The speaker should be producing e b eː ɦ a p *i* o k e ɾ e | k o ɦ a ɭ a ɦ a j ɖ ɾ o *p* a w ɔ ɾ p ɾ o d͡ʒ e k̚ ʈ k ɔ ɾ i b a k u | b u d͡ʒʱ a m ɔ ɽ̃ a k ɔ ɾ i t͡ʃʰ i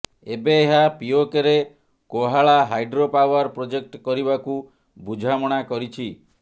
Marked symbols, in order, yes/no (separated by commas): yes, yes